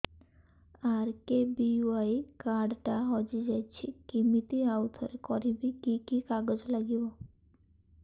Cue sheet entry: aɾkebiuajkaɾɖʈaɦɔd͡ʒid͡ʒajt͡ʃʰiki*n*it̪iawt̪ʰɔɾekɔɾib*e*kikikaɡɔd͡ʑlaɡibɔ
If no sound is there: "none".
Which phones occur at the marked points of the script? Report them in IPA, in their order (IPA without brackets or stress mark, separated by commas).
m, i